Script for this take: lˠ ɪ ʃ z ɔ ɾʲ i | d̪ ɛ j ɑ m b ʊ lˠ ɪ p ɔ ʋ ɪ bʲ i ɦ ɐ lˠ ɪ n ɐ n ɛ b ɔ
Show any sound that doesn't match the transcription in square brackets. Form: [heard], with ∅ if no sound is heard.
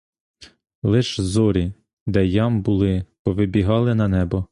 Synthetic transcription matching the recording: lˠ ɪ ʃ z ɔ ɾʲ i | d̪ ɛ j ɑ m b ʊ lˠ ɪ p ɔ ʋ ɪ bʲ i ɦ [ɑ] lˠ ɪ n ɐ n ɛ b ɔ